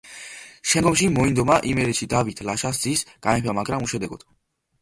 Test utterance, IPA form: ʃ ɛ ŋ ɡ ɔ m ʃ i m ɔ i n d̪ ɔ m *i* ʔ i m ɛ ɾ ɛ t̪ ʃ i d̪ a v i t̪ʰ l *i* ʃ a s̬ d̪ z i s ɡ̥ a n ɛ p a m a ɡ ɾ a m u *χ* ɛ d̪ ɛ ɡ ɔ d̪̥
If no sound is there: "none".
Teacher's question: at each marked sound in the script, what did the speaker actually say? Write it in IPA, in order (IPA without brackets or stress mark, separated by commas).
a, a, ʃ